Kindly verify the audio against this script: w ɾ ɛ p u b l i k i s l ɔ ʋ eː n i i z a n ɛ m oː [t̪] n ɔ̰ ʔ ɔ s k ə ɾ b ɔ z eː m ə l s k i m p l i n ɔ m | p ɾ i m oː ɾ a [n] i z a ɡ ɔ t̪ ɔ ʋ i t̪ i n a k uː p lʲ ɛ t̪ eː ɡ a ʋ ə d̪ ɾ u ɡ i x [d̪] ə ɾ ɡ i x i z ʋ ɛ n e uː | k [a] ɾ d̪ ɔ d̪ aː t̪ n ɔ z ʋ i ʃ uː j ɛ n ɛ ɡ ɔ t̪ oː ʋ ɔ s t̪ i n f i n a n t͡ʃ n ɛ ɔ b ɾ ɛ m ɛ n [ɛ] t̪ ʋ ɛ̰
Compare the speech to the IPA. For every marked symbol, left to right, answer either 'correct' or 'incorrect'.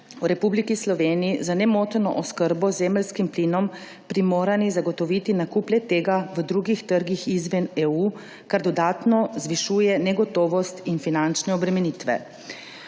correct, correct, incorrect, correct, incorrect

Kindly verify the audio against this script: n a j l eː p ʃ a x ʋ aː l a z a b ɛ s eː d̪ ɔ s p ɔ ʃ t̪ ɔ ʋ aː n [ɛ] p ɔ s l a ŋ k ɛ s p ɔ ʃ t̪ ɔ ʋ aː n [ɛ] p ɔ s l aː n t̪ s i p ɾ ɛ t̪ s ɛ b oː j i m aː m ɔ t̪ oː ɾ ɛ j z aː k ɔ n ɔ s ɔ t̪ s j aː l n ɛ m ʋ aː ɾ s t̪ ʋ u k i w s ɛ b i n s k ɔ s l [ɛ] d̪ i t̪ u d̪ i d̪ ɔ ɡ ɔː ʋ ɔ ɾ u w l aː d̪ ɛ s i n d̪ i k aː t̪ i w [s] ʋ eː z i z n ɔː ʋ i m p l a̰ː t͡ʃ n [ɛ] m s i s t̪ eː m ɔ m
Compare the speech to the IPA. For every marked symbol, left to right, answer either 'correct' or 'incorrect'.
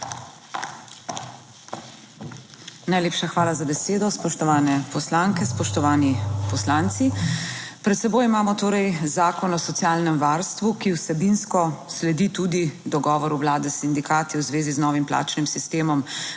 correct, incorrect, correct, incorrect, incorrect

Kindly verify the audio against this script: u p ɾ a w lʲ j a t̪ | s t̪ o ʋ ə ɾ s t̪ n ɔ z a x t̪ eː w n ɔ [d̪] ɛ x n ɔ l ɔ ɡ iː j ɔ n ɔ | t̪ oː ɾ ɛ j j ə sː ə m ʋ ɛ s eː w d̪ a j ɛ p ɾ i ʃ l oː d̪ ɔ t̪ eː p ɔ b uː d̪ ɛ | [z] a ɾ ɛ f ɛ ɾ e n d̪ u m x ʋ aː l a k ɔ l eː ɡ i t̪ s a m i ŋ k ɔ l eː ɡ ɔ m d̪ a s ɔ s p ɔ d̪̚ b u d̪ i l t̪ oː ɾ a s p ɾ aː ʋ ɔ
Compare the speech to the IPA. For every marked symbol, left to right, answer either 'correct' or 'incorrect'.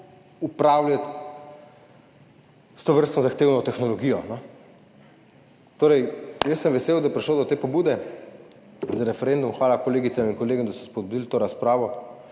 incorrect, correct

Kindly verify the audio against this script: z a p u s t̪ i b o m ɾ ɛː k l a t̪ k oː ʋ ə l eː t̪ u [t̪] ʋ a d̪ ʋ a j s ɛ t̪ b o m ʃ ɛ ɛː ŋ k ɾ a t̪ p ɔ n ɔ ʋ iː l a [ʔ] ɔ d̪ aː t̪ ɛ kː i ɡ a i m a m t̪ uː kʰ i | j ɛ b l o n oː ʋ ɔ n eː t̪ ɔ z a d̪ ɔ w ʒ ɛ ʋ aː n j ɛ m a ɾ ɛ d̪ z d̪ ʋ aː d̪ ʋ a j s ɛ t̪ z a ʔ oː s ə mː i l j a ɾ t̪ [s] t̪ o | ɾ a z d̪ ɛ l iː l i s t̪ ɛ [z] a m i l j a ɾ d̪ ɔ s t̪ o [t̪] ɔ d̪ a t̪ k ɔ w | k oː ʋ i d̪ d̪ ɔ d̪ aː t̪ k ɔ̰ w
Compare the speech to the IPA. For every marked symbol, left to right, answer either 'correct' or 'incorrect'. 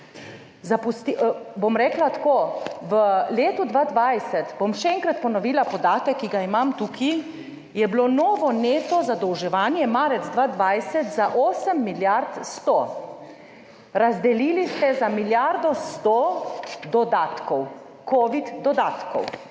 incorrect, incorrect, correct, correct, incorrect

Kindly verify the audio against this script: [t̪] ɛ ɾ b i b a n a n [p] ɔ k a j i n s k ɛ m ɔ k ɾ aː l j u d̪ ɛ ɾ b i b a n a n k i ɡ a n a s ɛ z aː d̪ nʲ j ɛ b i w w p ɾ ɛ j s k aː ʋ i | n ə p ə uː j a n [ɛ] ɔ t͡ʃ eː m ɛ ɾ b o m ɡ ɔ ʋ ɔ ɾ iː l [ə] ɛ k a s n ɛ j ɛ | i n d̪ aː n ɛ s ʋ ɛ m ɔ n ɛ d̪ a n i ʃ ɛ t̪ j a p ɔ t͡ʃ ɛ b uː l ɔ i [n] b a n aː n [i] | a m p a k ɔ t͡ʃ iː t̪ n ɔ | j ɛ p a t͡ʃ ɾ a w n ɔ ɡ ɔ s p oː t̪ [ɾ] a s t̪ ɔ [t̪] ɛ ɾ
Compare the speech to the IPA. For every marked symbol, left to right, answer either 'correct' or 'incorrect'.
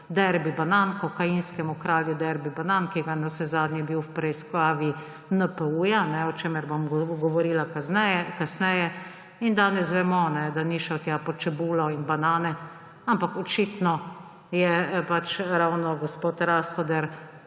incorrect, incorrect, correct, incorrect, correct, incorrect, correct, incorrect

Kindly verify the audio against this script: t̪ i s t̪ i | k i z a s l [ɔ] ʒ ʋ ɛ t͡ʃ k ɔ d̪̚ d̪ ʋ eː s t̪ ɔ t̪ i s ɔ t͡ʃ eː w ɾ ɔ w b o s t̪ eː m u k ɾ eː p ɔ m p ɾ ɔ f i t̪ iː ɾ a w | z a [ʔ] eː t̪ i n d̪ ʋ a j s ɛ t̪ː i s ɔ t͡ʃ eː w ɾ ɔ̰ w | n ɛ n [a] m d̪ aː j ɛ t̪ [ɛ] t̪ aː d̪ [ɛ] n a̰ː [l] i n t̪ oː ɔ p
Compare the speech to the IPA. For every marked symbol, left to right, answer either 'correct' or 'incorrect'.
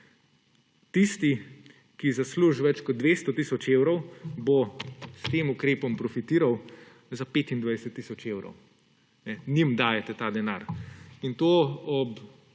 incorrect, incorrect, incorrect, correct, correct, incorrect

